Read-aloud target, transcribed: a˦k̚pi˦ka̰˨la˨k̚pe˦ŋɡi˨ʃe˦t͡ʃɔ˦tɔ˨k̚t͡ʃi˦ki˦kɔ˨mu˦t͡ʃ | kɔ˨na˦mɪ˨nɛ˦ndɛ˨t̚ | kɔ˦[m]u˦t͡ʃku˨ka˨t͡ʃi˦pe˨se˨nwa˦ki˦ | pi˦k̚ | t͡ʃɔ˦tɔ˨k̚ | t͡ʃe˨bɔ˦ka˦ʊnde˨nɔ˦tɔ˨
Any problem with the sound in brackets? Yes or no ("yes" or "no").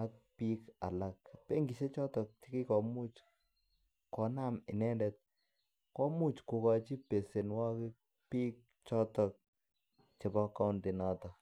no